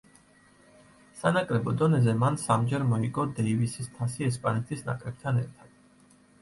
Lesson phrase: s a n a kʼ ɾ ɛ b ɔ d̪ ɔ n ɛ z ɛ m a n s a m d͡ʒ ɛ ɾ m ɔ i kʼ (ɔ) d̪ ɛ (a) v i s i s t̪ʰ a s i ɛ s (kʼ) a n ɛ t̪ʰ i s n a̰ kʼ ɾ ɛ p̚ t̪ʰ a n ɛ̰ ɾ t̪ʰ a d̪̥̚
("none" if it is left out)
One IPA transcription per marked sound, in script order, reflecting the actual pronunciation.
ɔ, i, pʼ

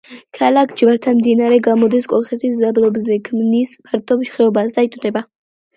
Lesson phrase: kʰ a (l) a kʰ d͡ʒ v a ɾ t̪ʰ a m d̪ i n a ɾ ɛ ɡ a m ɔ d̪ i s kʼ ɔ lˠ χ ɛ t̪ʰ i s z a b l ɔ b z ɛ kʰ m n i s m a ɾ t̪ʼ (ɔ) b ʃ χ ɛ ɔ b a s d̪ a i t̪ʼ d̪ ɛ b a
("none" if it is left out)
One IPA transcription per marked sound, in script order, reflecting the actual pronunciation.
l, ɔ

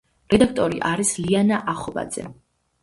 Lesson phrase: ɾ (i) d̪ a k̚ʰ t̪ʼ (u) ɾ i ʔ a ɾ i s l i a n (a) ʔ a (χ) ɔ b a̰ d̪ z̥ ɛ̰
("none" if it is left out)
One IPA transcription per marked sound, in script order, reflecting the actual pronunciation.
ɛ, ɔ, a, χ

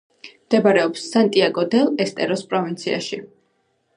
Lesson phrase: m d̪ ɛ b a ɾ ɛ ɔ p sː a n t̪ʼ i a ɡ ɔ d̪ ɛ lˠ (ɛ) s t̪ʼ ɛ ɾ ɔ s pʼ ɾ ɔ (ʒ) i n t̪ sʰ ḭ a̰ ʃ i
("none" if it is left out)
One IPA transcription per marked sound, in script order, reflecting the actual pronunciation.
ɛ, v

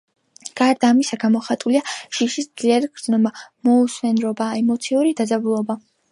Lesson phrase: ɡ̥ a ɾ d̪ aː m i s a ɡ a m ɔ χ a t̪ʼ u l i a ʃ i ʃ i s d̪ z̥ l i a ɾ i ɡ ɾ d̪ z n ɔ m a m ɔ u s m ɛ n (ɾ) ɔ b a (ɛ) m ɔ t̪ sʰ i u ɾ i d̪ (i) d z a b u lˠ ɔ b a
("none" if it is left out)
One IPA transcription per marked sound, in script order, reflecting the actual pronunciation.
ɾ, ɛ, a

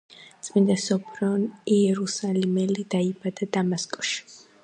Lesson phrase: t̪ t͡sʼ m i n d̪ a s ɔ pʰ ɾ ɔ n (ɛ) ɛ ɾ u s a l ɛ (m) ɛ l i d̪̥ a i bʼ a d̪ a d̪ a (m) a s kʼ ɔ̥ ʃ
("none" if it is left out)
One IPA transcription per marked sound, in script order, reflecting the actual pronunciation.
i, m, m

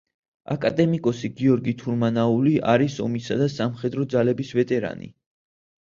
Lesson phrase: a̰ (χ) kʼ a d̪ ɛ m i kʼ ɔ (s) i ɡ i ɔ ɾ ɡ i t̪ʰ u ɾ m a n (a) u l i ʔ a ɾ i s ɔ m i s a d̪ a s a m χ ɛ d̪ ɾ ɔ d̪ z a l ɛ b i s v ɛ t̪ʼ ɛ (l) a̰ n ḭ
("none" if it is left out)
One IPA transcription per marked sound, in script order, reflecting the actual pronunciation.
none, s, a, ɾ

